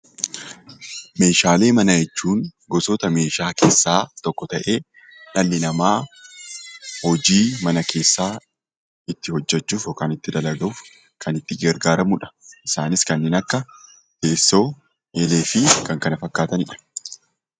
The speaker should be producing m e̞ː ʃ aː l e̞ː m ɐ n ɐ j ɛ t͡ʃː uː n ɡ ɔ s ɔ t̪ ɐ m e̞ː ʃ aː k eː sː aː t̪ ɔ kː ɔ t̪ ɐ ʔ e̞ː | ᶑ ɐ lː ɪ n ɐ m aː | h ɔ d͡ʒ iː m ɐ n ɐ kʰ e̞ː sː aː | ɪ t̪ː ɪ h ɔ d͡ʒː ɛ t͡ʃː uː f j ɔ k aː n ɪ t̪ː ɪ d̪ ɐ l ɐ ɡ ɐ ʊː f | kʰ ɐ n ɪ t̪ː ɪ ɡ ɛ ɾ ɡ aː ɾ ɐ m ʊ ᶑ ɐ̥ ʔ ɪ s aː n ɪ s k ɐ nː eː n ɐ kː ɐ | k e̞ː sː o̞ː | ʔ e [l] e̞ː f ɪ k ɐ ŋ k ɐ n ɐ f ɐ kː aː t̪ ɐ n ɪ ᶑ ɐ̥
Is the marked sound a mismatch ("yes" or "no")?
no